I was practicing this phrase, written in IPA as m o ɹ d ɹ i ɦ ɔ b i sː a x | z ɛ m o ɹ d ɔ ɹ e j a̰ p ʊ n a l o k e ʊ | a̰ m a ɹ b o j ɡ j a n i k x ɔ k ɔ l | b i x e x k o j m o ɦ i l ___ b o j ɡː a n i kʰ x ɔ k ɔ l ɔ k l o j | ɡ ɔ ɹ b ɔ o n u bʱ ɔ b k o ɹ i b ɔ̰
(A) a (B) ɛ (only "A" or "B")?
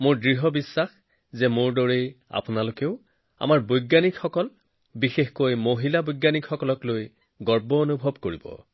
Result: A